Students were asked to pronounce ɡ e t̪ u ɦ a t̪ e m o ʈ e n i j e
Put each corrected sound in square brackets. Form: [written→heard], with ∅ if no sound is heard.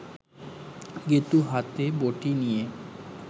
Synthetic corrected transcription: ɡ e t̪ u ɦ a t̪ e [m→b] o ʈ [e→i] n i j e